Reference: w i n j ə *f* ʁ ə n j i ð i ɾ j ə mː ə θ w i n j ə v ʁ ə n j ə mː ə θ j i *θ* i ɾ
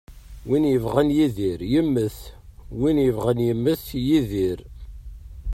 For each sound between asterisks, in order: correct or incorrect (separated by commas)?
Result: incorrect, incorrect